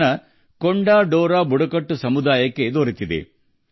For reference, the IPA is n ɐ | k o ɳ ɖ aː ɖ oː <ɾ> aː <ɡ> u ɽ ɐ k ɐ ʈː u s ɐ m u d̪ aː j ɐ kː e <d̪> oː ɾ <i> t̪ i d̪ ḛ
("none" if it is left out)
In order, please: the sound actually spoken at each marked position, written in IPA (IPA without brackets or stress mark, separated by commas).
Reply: ɾ, b, d̪, i